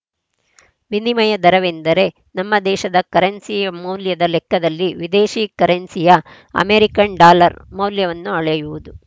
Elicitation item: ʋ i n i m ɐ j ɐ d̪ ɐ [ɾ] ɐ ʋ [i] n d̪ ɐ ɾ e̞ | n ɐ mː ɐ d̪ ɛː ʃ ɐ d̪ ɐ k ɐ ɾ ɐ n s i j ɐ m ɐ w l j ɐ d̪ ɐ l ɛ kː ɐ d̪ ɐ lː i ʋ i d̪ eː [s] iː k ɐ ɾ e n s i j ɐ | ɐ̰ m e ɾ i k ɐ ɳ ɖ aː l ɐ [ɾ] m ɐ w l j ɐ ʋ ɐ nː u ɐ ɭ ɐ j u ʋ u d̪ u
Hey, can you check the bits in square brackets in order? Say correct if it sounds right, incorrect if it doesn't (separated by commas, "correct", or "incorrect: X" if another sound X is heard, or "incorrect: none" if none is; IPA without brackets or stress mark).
correct, incorrect: e, incorrect: ʃ, correct